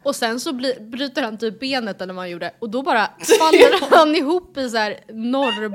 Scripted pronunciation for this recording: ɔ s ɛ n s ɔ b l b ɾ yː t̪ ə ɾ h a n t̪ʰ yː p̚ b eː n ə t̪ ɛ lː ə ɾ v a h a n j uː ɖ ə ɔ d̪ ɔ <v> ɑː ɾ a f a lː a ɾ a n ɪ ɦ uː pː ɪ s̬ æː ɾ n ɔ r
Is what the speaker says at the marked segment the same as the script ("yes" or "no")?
no